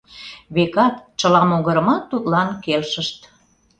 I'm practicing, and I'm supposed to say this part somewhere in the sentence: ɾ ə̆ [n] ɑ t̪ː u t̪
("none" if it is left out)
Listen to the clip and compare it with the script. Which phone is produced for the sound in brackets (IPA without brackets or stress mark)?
m